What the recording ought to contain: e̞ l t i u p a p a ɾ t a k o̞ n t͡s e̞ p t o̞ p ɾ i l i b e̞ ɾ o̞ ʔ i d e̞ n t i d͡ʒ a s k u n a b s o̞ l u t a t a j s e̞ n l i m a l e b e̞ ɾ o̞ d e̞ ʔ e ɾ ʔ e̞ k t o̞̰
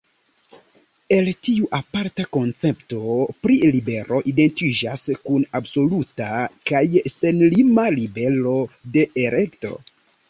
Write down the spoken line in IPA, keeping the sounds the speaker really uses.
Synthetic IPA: e̞ l t i u ʔ a p a ɾ t a k o̞ n t͡s e̞ p t o̞ p ɾ i l i b e̞ ɾ o̞ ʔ i d e̞ n t i d͡ʒ a s k u n a b s o̞ l u t a k a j s e̞ n l i m a l i b e̞ l o̞ d e̞ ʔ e ɾ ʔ e̞ k t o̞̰